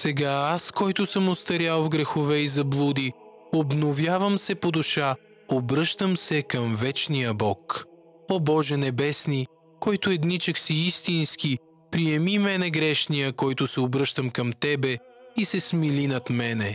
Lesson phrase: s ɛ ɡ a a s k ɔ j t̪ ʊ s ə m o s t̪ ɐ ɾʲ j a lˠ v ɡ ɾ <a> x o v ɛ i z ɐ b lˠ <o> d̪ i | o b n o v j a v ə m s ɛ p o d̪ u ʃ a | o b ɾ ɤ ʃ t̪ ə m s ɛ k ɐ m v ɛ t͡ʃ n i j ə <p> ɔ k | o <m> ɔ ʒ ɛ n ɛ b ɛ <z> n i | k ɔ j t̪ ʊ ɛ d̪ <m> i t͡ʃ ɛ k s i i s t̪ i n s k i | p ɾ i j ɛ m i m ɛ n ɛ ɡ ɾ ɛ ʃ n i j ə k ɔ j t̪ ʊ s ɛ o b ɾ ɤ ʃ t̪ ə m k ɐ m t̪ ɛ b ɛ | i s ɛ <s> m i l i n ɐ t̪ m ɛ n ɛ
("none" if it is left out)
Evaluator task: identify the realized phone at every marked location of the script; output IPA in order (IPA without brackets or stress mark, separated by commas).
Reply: ɛ, u, b, b, s, n, s